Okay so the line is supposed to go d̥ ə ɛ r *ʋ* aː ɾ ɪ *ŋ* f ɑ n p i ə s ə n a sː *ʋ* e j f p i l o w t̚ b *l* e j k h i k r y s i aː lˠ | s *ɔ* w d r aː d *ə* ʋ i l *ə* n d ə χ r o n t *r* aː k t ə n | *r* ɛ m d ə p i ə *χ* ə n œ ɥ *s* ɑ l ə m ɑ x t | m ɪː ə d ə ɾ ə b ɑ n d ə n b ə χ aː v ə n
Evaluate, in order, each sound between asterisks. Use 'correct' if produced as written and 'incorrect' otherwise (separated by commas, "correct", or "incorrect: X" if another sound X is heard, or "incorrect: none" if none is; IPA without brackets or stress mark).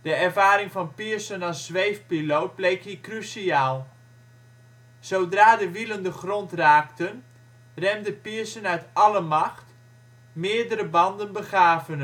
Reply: incorrect: v, correct, correct, correct, incorrect: o, correct, correct, correct, correct, incorrect: s, incorrect: t